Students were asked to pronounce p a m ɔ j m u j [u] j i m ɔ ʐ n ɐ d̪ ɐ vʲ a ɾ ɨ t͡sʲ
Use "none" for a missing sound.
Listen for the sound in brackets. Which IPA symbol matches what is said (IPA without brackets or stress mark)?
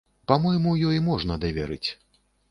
ɔ